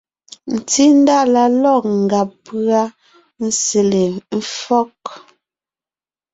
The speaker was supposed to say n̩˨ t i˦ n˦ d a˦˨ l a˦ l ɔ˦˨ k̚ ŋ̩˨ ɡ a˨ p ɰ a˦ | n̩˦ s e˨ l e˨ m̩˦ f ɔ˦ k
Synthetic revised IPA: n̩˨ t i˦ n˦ d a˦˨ l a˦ l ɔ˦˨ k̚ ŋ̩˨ ɡ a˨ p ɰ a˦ | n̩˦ s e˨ l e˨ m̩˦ f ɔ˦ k

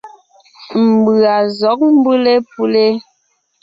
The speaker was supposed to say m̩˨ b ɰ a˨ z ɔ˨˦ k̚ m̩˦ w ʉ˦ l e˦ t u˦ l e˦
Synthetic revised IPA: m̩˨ b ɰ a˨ z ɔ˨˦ k̚ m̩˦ b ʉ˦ l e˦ p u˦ l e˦

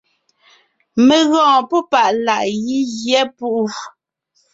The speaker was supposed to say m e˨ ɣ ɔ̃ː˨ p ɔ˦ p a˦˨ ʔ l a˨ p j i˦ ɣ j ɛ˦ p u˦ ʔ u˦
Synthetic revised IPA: m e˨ ɣ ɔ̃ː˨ p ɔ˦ p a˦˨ ʔ l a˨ ʔ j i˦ ɣ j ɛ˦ p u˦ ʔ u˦

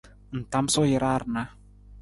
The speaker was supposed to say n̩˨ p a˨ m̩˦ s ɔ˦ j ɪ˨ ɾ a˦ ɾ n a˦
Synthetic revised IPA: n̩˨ t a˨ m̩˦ s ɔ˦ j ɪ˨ ɾ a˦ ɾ n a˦

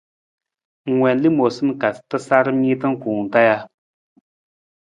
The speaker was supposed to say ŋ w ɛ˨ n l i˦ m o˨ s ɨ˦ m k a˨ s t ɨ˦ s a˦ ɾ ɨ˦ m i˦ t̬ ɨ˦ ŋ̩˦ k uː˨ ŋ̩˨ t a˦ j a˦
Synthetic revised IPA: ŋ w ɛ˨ n l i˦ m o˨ s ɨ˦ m k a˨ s t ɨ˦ s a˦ ɾ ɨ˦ m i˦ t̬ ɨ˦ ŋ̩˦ k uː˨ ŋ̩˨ t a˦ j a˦

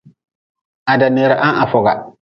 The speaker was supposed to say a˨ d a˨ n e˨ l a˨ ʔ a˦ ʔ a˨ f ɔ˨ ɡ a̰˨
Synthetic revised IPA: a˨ d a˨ n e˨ ɾ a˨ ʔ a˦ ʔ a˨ f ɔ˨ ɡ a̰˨

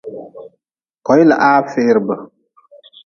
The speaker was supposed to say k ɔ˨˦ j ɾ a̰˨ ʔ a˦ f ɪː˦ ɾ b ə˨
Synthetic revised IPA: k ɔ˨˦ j l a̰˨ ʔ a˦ f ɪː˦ ɾ b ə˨

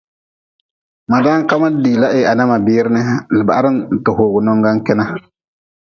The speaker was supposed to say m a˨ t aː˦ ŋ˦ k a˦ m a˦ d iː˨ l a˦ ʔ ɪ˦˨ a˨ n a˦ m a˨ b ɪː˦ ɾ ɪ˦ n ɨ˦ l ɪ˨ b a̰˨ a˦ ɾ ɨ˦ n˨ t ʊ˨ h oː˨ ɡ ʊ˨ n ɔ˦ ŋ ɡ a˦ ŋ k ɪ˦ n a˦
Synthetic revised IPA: m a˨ d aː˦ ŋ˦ k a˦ m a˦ d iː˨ l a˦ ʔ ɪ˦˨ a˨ n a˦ m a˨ b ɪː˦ ɾ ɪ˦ n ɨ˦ l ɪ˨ b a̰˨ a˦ ɾ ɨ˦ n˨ t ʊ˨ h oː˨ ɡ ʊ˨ n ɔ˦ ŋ ɡ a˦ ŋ k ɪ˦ n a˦

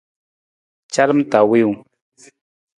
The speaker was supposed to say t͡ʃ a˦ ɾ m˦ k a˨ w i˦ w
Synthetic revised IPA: t͡ʃ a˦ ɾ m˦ t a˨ w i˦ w

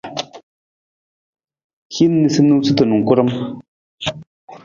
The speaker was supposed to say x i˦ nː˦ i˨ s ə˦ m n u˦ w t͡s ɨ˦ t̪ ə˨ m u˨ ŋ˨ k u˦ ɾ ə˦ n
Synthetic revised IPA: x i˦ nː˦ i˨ s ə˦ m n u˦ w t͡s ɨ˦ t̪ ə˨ n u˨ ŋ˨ k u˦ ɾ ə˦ m

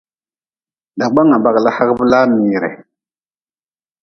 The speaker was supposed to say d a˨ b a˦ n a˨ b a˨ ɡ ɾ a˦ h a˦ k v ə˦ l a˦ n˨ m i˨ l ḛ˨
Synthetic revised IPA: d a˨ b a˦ ŋ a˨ b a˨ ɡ l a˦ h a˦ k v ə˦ l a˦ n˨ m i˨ ɾ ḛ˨

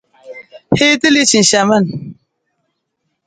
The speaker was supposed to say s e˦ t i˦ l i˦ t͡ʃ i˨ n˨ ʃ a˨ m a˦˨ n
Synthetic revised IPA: h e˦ t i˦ l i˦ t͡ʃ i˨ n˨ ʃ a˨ m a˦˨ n

